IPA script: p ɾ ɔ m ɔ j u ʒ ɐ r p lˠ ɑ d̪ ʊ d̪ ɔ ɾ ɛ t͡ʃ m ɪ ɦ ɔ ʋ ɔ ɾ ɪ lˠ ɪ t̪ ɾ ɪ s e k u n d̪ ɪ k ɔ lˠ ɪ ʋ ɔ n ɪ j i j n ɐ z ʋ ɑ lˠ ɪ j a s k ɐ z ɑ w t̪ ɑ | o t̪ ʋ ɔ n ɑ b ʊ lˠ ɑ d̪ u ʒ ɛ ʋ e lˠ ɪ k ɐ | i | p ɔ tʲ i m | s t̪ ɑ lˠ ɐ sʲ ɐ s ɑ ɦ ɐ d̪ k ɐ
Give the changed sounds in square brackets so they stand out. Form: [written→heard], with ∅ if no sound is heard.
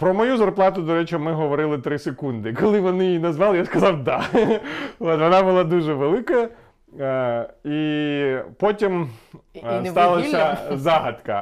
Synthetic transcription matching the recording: p ɾ ɔ m ɔ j u [ʒ→z] ɐ r p lˠ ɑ [d̪→t̪] ʊ d̪ ɔ ɾ ɛ t͡ʃ m ɪ ɦ ɔ ʋ ɔ ɾ ɪ lˠ ɪ t̪ ɾ ɪ s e k u n d̪ ɪ k ɔ lˠ ɪ ʋ ɔ n ɪ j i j n ɐ z ʋ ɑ lˠ ɪ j a s k ɐ z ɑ w [t̪→d̪] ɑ | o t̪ ʋ ɔ n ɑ b ʊ lˠ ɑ d̪ u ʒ ɛ ʋ e lˠ ɪ k ɐ | i | p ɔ tʲ i m | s t̪ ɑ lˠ ɐ sʲ ɐ [s→z] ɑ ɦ ɐ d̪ k ɐ